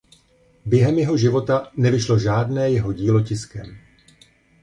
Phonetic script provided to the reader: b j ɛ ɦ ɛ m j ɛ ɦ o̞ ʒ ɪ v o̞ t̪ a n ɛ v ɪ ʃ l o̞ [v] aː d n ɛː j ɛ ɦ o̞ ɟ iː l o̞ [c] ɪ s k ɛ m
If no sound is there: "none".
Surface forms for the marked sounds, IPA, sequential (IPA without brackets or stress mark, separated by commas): ʒ, c